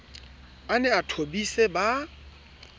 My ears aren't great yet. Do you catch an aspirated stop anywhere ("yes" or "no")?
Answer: yes